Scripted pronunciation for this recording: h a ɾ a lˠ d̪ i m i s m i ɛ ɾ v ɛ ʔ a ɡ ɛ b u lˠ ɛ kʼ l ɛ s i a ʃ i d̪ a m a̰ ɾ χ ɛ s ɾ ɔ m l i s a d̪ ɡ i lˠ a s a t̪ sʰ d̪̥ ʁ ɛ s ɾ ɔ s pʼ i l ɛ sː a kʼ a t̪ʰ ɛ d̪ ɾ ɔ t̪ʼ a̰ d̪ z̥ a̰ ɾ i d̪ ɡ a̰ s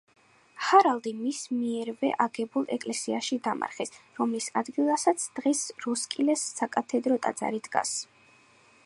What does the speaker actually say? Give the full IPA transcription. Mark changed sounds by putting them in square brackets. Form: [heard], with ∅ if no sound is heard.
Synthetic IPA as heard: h a ɾ a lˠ d̪ i m i s m i ɛ ɾ v ɛ ʔ a ɡ ɛ b u lˠ ɛ kʼ l ɛ s i a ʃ i d̪ a m a̰ ɾ χ ɛ s ɾ ɔ m l i s a d̪ ɡ i lˠ a s a t̪ sʰ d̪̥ ʁ ɛ s ɾ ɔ s [kʼ] i l ɛ sː a kʼ a t̪ʰ ɛ d̪ ɾ ɔ t̪ʼ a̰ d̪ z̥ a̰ ɾ i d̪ ɡ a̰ s